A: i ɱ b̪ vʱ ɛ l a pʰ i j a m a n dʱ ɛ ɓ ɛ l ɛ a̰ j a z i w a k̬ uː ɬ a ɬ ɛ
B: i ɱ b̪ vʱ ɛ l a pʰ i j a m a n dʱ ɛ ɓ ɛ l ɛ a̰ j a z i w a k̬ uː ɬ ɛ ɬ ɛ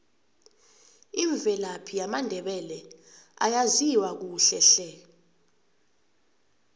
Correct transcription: B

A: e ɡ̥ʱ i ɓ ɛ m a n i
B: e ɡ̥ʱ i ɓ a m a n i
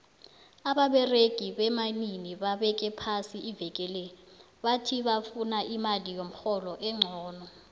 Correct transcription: A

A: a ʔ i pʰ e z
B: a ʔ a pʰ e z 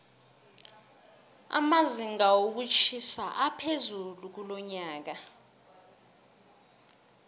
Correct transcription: B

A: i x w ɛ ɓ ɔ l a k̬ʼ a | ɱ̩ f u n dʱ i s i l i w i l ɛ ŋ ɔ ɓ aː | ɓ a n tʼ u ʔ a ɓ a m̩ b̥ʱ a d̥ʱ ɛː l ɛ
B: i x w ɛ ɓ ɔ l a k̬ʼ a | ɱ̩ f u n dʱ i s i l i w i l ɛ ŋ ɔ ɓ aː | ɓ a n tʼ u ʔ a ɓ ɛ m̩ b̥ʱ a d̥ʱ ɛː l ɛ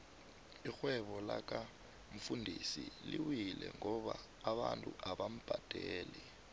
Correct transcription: A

